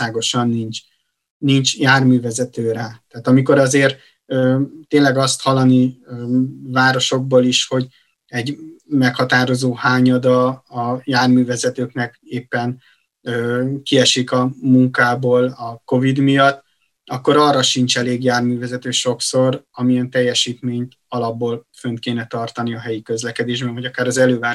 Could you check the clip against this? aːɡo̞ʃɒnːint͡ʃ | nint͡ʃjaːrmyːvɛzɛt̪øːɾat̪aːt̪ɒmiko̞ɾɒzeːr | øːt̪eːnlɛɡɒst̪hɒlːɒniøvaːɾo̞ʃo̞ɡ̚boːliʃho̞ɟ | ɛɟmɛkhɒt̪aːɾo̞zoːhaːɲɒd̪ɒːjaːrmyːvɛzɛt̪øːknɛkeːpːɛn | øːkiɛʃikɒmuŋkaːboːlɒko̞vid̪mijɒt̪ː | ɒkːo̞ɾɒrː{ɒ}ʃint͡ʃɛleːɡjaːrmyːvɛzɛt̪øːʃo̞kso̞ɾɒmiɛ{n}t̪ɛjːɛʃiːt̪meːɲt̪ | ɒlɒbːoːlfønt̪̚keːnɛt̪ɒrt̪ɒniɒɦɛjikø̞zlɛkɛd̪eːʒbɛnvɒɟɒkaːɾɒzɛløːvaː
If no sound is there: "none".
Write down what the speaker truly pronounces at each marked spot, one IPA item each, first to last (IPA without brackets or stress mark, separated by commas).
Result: ɒ, n